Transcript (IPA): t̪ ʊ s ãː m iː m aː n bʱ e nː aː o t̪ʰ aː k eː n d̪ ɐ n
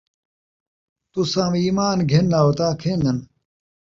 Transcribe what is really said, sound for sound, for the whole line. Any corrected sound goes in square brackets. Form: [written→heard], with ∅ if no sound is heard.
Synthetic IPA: t̪ [ʊ→u] s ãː m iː m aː n [bʱ→ɡʱ] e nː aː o [t̪ʰ→t̪] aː [k→kʰ] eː n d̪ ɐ n